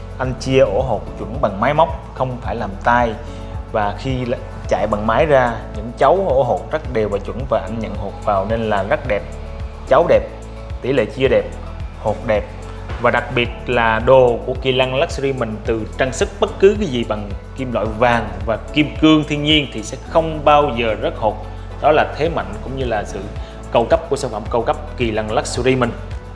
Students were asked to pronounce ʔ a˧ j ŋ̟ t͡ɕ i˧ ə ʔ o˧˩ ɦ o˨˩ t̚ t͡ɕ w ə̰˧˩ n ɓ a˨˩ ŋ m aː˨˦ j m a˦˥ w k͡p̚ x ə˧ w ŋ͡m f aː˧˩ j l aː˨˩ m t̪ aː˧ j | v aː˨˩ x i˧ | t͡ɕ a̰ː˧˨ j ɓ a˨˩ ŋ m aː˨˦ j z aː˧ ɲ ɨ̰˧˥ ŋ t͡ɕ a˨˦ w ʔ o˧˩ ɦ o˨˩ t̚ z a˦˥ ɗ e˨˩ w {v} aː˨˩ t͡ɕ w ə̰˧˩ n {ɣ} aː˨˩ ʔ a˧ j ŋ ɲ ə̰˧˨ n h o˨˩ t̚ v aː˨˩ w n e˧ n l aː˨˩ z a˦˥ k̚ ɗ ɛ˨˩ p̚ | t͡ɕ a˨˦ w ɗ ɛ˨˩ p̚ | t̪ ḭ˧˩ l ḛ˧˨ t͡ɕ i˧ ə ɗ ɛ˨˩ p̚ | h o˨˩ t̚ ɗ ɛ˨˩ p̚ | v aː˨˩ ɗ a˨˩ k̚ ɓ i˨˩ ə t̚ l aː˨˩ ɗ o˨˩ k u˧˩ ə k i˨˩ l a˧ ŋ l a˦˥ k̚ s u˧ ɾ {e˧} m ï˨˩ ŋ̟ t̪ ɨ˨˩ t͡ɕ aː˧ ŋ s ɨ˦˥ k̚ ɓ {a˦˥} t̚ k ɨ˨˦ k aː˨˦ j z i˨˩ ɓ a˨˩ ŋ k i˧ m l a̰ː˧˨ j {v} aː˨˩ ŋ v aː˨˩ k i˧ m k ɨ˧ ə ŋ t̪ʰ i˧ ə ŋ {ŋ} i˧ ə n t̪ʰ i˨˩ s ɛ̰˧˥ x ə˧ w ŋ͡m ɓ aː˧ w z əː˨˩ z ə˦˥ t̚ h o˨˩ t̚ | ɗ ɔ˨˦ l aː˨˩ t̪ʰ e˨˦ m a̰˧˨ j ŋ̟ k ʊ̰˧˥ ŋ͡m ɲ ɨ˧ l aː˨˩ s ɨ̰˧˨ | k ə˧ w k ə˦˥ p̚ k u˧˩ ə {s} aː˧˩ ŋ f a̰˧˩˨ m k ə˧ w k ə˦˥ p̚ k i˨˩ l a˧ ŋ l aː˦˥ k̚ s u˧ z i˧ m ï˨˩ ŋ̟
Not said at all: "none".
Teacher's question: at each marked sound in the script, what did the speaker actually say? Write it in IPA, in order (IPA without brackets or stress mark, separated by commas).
v, v, i˧, ə˦˥, v, ɲ, s